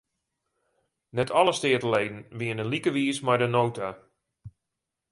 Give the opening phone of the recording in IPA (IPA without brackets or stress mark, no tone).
n